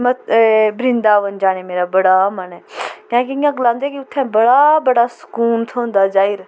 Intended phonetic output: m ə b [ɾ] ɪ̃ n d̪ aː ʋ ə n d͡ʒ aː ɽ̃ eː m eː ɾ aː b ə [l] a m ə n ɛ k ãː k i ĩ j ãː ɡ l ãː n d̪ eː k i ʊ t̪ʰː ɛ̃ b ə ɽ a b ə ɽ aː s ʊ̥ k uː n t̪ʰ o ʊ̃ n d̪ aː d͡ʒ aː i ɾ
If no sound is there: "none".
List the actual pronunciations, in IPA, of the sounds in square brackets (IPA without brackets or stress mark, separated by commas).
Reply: ɾ, ɽ